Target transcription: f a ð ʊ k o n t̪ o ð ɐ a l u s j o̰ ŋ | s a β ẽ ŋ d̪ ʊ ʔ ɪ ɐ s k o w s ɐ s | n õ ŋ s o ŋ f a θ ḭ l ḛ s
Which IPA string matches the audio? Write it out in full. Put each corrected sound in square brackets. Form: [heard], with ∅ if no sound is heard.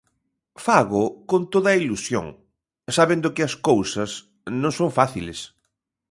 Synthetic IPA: f a [ɣ] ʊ k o n t̪ o ð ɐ [i] l u s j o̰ ŋ | s a β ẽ [n] d̪ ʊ [k] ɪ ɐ s k o w s ɐ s | n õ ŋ s o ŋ f a θ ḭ l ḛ s